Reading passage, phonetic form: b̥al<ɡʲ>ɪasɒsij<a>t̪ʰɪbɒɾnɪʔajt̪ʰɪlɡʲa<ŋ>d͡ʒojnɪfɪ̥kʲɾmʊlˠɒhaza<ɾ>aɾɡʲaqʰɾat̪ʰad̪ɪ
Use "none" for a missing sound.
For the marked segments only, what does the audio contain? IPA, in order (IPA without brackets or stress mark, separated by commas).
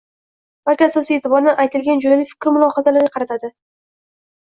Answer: kʲ, e, n, l